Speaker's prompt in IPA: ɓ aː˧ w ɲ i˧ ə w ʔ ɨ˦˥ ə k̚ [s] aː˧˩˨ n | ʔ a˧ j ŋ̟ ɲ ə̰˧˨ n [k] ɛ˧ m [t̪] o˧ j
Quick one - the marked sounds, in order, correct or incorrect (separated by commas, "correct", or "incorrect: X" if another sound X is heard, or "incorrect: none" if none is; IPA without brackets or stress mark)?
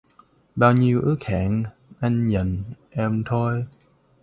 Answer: incorrect: h, incorrect: ʔ, incorrect: t̪ʰ